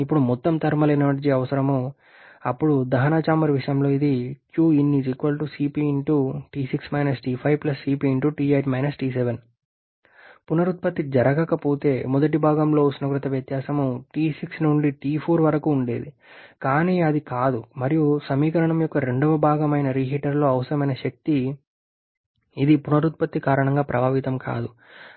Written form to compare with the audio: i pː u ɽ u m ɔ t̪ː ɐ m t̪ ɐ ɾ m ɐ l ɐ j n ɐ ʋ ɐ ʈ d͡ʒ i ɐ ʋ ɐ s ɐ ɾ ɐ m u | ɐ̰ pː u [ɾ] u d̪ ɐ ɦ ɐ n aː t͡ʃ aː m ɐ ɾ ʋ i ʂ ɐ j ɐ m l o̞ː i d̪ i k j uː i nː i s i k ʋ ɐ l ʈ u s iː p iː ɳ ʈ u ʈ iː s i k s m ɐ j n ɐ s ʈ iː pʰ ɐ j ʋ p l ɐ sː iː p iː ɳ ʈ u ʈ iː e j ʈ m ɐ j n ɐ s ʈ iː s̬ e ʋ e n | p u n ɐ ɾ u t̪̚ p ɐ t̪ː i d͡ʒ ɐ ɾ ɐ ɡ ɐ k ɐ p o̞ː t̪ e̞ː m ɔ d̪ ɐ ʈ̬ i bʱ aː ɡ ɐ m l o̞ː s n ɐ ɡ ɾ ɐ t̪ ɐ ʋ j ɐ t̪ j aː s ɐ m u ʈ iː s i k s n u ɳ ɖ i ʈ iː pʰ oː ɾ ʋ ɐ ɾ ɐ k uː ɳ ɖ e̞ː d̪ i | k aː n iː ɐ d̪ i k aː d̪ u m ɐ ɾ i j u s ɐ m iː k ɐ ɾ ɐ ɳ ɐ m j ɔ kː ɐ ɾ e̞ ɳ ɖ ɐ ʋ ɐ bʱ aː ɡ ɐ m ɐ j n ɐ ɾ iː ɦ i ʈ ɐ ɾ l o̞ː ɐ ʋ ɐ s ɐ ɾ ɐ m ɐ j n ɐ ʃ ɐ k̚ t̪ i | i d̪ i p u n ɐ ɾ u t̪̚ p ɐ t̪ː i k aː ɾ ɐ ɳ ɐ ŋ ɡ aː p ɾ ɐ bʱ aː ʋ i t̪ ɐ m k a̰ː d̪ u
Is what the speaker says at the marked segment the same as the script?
no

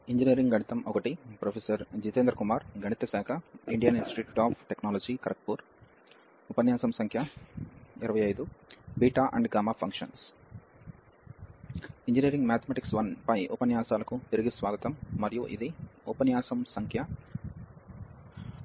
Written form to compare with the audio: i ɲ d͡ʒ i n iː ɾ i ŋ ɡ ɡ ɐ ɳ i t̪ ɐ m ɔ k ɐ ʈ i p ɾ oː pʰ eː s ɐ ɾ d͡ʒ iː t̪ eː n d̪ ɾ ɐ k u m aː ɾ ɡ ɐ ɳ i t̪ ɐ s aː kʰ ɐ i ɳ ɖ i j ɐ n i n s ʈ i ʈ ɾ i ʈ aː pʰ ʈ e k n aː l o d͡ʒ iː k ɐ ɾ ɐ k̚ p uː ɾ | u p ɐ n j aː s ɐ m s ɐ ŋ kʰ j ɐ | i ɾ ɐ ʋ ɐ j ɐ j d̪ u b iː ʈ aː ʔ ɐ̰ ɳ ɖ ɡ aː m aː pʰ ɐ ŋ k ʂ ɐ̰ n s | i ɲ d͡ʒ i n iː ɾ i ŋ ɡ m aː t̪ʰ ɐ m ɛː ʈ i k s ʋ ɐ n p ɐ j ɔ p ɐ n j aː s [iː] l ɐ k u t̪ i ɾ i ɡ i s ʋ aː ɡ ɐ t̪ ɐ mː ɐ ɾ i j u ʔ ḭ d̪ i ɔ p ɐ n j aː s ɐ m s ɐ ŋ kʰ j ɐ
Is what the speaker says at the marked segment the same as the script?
no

